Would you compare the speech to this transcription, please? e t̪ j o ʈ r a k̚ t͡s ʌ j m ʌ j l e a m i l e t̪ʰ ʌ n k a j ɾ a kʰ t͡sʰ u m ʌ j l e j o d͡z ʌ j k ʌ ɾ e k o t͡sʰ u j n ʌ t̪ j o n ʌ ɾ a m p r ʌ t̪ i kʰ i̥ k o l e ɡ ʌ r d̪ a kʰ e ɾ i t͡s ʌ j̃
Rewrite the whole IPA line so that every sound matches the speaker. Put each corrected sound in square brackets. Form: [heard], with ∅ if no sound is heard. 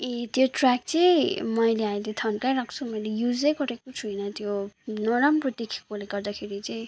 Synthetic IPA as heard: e t̪ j o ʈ r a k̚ t͡s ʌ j m ʌ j l e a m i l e t̪ʰ ʌ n k a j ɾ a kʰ t͡sʰ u m ʌ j l e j [u] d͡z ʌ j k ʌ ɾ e k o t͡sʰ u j n ʌ t̪ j o n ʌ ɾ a m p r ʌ t̪ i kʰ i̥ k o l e ɡ ʌ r d̪ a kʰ e ɾ i t͡s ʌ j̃